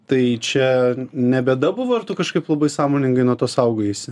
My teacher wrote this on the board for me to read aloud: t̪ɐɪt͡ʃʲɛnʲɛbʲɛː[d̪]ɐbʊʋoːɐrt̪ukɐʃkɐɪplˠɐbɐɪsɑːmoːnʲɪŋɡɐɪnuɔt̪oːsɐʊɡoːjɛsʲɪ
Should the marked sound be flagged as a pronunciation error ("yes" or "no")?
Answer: no